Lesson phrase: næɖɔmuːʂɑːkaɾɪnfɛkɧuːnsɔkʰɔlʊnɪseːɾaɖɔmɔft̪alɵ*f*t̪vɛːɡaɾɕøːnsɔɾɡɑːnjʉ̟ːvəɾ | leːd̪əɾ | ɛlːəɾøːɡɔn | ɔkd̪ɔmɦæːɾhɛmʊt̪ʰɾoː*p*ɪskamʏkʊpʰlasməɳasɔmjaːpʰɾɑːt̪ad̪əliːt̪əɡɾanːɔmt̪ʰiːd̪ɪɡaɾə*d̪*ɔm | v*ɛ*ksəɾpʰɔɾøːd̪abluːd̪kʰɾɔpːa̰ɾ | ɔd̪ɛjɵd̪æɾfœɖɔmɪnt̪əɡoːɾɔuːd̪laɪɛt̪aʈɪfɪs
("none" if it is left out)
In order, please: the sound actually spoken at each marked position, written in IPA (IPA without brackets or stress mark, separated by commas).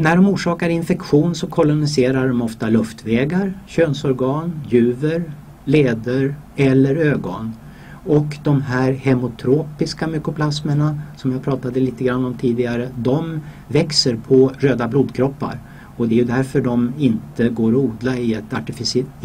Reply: f, p, d̪, ɛ